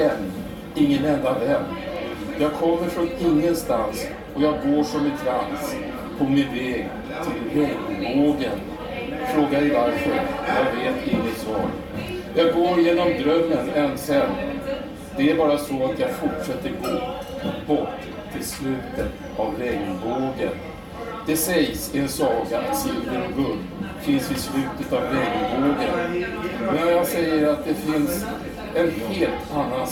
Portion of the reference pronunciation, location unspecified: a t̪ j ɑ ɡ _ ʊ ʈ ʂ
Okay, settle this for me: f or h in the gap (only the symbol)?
f